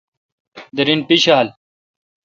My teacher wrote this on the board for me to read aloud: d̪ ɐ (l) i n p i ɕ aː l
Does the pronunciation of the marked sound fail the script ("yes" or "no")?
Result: yes